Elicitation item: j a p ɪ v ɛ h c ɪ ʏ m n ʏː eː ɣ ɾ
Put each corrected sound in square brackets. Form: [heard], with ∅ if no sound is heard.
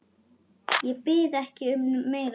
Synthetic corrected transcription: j [ɛ] p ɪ [ð] ɛ h c ɪ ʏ m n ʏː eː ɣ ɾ